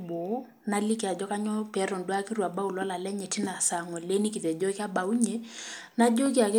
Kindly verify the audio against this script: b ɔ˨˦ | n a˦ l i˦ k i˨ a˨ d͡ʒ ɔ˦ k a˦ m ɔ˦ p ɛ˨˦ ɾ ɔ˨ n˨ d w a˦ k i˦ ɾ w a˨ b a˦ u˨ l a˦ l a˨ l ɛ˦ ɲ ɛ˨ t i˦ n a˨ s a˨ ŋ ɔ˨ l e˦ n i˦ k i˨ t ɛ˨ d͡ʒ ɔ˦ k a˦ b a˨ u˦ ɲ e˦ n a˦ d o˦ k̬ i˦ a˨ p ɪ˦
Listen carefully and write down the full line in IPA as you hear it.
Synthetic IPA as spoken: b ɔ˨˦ | n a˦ l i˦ k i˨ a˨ d͡ʒ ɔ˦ k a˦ ɲ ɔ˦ p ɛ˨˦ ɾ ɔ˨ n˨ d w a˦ k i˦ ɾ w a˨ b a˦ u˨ l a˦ l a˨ l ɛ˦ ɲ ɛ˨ t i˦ n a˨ s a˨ ŋ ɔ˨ l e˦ n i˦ k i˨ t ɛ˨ d͡ʒ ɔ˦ k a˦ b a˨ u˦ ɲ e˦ n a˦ d͡ʒ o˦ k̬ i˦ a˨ k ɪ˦